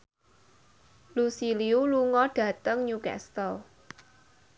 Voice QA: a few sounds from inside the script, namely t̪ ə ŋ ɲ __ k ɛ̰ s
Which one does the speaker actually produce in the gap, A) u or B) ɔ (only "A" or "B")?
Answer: A